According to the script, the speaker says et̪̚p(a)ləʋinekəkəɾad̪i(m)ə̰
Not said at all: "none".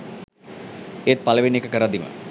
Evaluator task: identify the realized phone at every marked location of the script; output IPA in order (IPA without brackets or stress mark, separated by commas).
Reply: a, m